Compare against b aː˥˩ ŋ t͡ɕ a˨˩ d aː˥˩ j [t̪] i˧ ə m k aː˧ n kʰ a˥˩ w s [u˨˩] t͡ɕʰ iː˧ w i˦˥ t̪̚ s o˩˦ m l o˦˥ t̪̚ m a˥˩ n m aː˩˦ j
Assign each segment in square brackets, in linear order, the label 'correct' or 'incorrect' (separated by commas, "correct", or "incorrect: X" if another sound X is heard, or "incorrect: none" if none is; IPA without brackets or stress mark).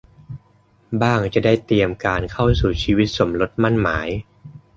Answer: correct, incorrect: uː˨˩